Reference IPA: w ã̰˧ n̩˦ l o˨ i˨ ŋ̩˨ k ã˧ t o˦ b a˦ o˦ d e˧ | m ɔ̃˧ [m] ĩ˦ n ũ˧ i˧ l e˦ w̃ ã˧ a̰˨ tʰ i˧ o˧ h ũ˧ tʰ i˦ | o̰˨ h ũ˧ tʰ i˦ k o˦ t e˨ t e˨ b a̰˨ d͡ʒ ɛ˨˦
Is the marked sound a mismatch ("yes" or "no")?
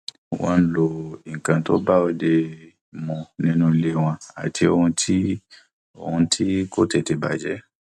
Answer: yes